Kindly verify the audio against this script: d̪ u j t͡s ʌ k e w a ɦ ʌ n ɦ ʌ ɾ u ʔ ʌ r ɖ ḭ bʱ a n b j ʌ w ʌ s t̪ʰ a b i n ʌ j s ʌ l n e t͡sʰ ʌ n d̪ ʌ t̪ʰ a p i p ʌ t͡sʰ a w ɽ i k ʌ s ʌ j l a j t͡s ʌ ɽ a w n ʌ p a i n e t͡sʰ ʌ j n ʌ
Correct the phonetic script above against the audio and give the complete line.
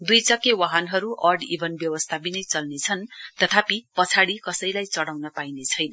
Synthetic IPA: d̪ u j t͡s ʌ k e w a ɦ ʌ n ɦ ʌ ɾ u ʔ ʌ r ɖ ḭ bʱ ʌ n b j ʌ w ʌ s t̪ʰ a b i n ʌ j t͡s ʌ l n e t͡sʰ ʌ n t̪ ʌ t̪ʰ a p i p ʌ t͡sʰ a ɽ i k ʌ s ʌ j l a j t͡s ʌ ɽ a w n ʌ p a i n e t͡sʰ ʌ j n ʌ